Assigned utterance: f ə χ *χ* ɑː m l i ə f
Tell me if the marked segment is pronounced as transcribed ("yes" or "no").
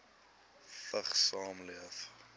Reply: no